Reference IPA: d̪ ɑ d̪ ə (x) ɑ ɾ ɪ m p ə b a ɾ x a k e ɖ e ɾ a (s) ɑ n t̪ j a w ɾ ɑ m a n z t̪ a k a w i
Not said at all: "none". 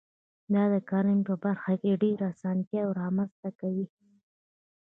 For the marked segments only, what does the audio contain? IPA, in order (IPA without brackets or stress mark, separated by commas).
k, s